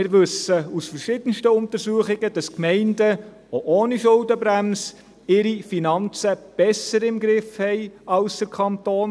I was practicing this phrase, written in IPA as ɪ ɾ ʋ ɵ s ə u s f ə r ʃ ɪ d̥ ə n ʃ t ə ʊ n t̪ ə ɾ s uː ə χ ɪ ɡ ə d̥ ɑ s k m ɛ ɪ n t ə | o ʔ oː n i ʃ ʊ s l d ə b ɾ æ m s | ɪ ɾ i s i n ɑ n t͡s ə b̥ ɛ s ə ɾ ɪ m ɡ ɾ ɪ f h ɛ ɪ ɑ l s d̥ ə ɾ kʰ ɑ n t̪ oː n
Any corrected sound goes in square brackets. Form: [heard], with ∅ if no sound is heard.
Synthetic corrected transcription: ɪ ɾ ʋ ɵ s ə u s f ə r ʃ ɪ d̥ ə n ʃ t ə ʊ n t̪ ə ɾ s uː ə χ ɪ ɡ ə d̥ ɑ s k m ɛ ɪ n [d] ə | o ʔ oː n i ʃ ʊ [∅] l d ə b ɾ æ m s | ɪ ɾ i [f] i n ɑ n t͡s ə b̥ ɛ s ə ɾ ɪ m ɡ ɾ ɪ f h ɛ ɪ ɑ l s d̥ ə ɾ kʰ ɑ n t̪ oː n